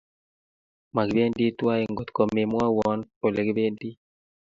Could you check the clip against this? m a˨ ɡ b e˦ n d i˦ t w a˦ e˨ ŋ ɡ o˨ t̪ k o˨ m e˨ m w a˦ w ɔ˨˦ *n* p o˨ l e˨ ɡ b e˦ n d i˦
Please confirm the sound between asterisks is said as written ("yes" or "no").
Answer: yes